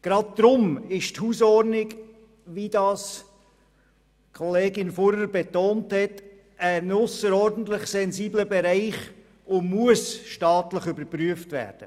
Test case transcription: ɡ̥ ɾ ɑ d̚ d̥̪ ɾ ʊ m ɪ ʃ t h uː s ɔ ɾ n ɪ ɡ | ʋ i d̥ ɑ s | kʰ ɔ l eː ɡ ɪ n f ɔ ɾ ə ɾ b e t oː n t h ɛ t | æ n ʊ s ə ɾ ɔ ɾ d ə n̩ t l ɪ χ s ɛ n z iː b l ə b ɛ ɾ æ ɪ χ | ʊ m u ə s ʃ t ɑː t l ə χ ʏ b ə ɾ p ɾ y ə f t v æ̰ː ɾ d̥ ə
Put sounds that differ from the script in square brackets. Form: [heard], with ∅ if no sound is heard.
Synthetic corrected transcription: ɡ̥ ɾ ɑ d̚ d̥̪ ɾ ʊ m ɪ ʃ t h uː s ɔ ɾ n ɪ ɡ | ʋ i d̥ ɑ s | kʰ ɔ l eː ɡ ɪ n f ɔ ɾ ə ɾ b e t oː n t h ɛ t | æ n ʊ s ə ɾ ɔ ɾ d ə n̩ t l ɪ χ s ɛ n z iː b l ə b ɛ ɾ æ ɪ χ | ʊ m u ə s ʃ t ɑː t l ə χ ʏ b ə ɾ p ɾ y ə f t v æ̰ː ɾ d̥ ə

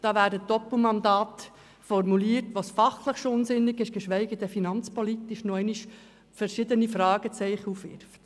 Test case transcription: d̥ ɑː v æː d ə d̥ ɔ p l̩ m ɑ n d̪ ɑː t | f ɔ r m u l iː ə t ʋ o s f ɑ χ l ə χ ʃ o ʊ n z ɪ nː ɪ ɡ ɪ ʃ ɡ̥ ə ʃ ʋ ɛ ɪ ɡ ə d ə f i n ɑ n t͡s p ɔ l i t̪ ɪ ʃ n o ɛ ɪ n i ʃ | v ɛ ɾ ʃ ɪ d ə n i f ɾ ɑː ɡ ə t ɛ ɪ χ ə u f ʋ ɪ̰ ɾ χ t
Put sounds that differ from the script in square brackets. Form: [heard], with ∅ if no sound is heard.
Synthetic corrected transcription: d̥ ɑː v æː d ə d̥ ɔ p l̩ m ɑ n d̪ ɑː t | f ɔ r m u l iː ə t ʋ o s f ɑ χ l ə χ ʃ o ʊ n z ɪ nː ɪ ɡ ɪ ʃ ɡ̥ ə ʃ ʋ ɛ ɪ ɡ ə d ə f i n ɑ n t͡s p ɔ l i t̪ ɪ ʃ n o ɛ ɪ n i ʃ | [f] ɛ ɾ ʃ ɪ d ə n i f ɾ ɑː ɡ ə [t͡s] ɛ ɪ χ ə u f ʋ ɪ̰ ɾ [f] t

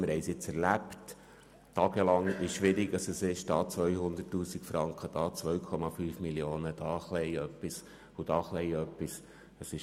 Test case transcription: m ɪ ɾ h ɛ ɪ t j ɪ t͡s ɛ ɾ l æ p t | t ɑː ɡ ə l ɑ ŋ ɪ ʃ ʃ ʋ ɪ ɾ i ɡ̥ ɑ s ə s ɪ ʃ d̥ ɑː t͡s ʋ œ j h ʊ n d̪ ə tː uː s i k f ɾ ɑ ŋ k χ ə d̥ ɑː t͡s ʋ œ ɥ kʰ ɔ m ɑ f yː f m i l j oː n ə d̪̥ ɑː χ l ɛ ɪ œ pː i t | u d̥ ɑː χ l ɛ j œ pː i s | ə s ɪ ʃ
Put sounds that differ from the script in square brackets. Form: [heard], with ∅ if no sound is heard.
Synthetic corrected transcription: m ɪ ɾ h ɛ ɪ [s] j ɪ t͡s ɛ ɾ l æ p t | t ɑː ɡ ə l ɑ ŋ ɪ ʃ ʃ ʋ ɪ ɾ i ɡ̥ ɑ s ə s ɪ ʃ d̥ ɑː t͡s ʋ œ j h ʊ n d̪ ə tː uː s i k f ɾ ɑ ŋ k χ ə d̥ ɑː t͡s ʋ œ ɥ kʰ ɔ m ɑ f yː f m i l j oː n ə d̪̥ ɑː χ l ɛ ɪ œ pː i [s] | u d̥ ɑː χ l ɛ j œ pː i s | ə s ɪ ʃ

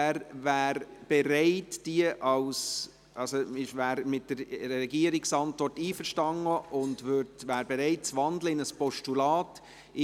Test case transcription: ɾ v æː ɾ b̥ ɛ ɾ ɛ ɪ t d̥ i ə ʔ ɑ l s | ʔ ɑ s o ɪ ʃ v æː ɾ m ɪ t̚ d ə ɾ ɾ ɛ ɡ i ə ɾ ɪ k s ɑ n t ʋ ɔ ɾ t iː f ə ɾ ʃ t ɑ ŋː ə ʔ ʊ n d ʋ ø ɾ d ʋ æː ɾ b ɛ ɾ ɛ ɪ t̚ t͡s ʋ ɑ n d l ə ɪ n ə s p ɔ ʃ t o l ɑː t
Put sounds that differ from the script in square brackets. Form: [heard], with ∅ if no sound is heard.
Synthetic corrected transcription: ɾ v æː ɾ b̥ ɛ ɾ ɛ ɪ t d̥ i ə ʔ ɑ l s | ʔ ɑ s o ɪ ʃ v æː ɾ m ɪ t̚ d ə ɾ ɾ ɛ ɡ i ə ɾ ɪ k s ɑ n t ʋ ɔ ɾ t iː f ə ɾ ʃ t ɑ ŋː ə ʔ ʊ n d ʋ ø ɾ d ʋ æː ɾ b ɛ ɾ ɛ ɪ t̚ t͡s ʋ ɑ n d l ə ɪ n ə s p ɔ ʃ t [u] l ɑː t

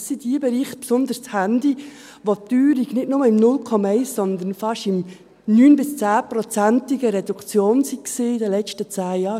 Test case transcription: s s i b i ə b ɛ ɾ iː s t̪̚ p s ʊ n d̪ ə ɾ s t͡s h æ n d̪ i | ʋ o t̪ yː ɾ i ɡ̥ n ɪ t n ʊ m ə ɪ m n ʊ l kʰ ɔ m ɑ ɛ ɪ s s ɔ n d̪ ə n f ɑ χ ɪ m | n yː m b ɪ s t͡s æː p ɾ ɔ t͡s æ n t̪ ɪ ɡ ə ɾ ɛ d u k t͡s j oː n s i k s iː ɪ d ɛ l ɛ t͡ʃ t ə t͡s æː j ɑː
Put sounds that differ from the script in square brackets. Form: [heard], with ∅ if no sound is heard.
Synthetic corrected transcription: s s i [d] i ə b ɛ ɾ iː [χ] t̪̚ p s ʊ n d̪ ə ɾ s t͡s h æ n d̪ i | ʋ o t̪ yː ɾ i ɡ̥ n ɪ t n ʊ m ə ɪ m n ʊ l kʰ ɔ m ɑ ɛ ɪ s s ɔ n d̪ ə n f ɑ [ʃ] ɪ m | n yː [n] b ɪ s t͡s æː p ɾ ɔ t͡s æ n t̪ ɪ ɡ ə ɾ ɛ d u k t͡s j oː n s i k s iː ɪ d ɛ l ɛ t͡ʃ t ə t͡s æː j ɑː

